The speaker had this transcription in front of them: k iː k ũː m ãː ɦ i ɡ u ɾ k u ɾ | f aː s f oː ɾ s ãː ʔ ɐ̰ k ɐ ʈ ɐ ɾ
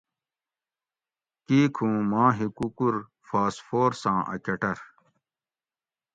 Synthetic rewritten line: k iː kʰ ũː m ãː ɦ i k u k u ɾ | f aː s f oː ɾ s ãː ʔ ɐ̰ k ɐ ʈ ɐ ɾ